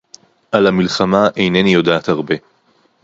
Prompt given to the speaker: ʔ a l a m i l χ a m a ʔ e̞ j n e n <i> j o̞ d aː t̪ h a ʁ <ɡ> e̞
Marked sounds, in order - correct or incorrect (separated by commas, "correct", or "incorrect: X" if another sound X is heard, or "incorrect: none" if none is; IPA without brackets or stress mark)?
correct, incorrect: b